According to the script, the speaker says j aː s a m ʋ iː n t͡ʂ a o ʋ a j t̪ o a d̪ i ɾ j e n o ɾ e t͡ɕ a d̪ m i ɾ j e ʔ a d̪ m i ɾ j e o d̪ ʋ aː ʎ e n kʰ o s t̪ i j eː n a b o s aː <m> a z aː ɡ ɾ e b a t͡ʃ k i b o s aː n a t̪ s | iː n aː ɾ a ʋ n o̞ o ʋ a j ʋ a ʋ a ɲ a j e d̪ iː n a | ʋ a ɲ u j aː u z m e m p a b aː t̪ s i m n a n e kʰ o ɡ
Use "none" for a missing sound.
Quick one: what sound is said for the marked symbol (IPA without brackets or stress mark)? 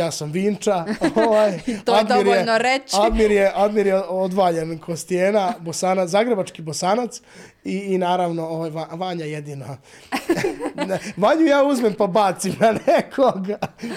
n